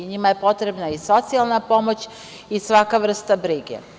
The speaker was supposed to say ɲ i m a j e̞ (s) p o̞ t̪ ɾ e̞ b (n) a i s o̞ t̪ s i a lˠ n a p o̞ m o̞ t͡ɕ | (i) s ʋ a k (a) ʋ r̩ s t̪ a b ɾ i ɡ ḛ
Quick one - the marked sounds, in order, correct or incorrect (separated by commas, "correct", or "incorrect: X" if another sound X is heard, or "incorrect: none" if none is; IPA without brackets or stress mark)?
incorrect: none, correct, correct, correct